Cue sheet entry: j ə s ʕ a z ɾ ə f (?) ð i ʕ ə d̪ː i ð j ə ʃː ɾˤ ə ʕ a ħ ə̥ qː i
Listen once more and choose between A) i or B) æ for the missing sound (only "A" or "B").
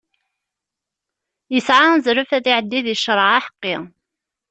B